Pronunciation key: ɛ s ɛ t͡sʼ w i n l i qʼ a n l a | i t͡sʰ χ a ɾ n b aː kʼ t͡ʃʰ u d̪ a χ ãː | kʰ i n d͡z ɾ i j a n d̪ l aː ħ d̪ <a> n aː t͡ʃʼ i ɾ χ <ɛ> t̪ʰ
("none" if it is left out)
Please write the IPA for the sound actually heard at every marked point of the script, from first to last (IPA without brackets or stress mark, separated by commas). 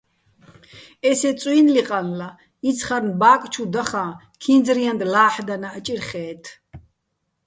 a, ɛː